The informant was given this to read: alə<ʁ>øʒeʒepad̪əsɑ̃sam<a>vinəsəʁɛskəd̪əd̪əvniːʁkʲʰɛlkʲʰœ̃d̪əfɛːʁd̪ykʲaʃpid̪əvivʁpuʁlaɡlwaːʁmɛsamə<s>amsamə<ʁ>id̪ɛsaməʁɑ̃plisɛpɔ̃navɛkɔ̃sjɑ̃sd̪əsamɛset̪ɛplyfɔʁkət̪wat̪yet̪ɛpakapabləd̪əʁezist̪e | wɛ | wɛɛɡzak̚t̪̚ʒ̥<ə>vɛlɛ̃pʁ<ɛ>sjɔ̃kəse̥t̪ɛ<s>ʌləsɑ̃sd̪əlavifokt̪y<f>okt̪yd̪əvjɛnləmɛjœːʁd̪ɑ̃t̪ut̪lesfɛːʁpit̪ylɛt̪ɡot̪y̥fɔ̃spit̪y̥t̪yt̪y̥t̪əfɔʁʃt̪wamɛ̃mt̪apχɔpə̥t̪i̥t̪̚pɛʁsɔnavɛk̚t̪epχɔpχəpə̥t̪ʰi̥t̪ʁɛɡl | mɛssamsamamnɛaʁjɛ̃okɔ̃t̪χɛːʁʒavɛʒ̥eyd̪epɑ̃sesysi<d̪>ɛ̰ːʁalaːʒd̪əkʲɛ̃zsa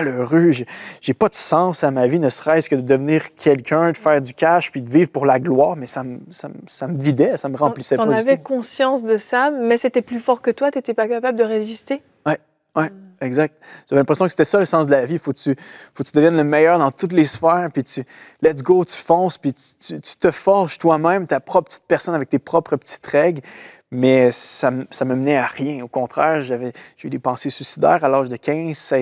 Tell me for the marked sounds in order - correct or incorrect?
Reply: correct, correct, correct, incorrect, incorrect, incorrect, correct, correct, correct

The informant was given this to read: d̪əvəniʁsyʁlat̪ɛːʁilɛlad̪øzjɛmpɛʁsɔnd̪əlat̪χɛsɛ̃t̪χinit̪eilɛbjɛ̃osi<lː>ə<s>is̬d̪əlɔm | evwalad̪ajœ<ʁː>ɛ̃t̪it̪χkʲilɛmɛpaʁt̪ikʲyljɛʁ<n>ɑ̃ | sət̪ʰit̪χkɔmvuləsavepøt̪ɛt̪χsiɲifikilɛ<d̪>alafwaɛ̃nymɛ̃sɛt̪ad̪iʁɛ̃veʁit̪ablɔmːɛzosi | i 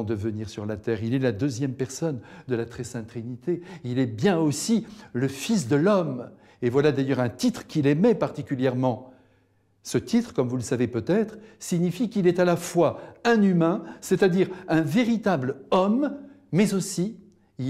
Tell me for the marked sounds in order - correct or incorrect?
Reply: incorrect, incorrect, incorrect, incorrect, incorrect

